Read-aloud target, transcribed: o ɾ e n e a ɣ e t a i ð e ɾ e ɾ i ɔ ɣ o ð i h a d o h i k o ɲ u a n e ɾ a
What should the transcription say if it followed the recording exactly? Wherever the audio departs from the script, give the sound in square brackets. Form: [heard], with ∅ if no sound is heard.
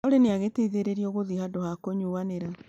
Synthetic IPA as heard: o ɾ e n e a ɣ e t [e] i ð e ɾ e ɾ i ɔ ɣ o ð i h a d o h [a] k o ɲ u a n e ɾ a